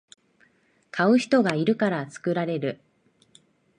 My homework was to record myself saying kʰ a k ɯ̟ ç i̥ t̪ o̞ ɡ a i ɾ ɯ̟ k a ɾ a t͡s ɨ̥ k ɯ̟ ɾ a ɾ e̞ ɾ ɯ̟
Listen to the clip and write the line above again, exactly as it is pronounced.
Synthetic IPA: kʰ a ɯ̟ ç i̥ t̪ o̞ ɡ a i ɾ ɯ̟ k a ɾ a t͡s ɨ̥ k ɯ̟ ɾ a ɾ e̞ ɾ ɯ̟

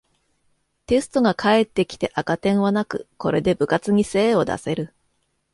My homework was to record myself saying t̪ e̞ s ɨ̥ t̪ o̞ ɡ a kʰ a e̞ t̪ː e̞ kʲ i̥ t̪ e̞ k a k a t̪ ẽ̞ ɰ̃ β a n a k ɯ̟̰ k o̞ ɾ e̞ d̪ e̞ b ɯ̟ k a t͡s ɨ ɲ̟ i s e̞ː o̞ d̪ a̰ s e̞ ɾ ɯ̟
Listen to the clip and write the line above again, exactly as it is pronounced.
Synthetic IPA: t̪ e̞ s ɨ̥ t̪ o̞ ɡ a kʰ a e̞ t̪ː e̞ kʲ i̥ t̪ e̞ ʔ a k a t̪ ẽ̞ ɰ̃ β a n a k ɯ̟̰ k o̞ ɾ e̞ d̪ e̞ b ɯ̟ k a t͡s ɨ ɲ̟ i s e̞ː o̞ d̪ a̰ s e̞ ɾ ɯ̟

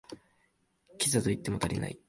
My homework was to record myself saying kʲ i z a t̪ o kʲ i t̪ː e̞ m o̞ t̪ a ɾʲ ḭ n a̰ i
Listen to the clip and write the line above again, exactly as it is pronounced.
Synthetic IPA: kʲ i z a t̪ o i t̪ː e̞ m o̞ t̪ a ɾʲ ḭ n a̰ i

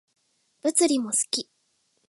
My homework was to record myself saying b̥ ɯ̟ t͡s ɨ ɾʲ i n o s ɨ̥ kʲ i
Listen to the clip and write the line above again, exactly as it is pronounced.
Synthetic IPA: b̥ ɯ̟ t͡s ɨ ɾʲ i m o s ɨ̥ kʲ i

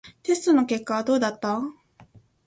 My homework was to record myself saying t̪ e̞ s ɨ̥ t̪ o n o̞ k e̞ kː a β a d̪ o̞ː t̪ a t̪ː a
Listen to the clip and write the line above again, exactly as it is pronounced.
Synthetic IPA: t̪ e̞ s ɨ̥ t̪ o n o̞ k e̞ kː a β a d̪ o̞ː d̪ a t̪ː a

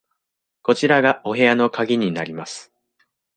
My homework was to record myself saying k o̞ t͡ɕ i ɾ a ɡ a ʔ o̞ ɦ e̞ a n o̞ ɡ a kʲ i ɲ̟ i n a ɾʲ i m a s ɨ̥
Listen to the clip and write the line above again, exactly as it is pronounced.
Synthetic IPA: k o̞ t͡ɕ i ɾ a ɡ a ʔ o̞ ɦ e̞ a n o̞ k a ɡʲ i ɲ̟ i n a ɾʲ i m a s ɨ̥

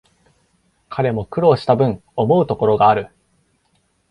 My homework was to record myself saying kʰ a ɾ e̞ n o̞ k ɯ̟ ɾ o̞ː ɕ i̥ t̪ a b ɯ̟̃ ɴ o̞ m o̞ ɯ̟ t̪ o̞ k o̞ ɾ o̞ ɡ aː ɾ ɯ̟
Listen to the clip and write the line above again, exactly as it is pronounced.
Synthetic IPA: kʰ a ɾ e̞ m o̞ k ɯ̟ ɾ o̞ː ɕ i̥ t̪ a b ɯ̟̃ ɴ o̞ m o̞ ɯ̟ t̪ o̞ k o̞ ɾ o̞ ɡ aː ɾ ɯ̟

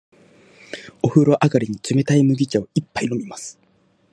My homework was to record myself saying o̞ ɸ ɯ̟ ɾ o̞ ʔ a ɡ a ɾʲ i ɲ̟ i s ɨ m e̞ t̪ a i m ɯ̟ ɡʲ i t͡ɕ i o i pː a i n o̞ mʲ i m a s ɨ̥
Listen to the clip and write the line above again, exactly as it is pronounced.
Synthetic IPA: o̞ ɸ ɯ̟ ɾ o̞ ʔ a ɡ a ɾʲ i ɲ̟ i t͡s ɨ m e̞ t̪ a i m ɯ̟ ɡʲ i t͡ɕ a o i pː a i n o̞ mʲ i m a s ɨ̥

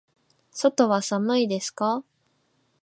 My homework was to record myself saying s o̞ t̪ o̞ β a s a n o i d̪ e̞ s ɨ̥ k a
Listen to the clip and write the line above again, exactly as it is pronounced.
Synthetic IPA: s o̞ t̪ o̞ β a s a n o i d̪ e̞ s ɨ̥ k a

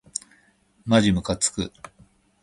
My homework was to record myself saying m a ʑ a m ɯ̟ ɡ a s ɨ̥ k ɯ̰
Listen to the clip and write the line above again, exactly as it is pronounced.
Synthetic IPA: m a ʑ i m ɯ̟ k a t͡s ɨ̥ k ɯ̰

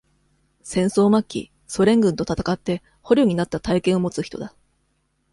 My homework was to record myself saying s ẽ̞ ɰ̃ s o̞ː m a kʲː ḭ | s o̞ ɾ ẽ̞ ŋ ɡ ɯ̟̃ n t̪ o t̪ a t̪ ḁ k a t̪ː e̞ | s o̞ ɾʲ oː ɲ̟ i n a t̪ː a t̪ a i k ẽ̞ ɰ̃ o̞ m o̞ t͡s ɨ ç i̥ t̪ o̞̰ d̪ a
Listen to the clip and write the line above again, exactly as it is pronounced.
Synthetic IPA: s ẽ̞ ɰ̃ s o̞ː m a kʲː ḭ | s o̞ ɾ ẽ̞ ŋ ɡ ɯ̟̃ n t̪ o t̪ a t̪ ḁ k a t̪ː e̞ | h o̞ ɾʲ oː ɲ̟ i n a t̪ː a t̪ a i k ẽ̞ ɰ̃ o̞ m o̞ t͡s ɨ ç i̥ t̪ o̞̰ d̪ a

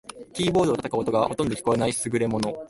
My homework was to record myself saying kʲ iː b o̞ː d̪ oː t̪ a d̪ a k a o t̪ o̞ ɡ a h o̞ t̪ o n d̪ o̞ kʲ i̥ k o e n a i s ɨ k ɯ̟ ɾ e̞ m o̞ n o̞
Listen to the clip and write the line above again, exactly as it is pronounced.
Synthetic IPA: kʲ iː b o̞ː d̪ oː t̪ a t̪ a k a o t̪ o̞ ɡ a h o̞ t̪ o n d̪ o̞ kʲ i̥ k o e n a i s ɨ ɡ ɯ̟ ɾ e̞ m o̞ n o̞

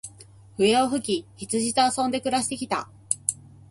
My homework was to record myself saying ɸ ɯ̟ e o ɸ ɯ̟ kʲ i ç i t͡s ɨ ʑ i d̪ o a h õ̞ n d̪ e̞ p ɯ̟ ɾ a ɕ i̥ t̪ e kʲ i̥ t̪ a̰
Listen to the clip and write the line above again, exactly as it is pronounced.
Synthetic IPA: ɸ ɯ̟ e o ɸ ɯ̟ kʲ i ç i t͡s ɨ ʑ i t̪ o a s õ̞ n d̪ e̞ k ɯ̟ ɾ a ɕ i̥ t̪ e kʲ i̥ t̪ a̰

